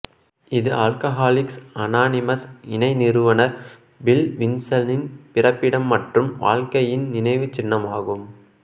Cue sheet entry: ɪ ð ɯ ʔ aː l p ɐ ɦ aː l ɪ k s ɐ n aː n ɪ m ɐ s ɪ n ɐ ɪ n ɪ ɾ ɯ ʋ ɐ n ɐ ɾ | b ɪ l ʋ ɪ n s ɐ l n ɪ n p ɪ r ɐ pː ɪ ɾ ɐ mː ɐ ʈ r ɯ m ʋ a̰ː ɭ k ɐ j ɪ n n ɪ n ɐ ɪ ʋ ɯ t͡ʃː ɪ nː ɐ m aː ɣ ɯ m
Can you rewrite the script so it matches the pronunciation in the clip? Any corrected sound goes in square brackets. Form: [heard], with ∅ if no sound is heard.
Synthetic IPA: ɪ ð ɯ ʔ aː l [k] ɐ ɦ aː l ɪ k s ɐ n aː n ɪ m ɐ s ɪ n ɐ ɪ n ɪ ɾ ɯ ʋ ɐ n ɐ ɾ | b ɪ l ʋ ɪ n s ɐ l n ɪ n p ɪ r ɐ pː ɪ [ɽ] ɐ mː ɐ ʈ r ɯ m ʋ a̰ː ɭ k ɐ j ɪ n n ɪ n ɐ ɪ ʋ ɯ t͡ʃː ɪ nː ɐ m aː ɣ ɯ m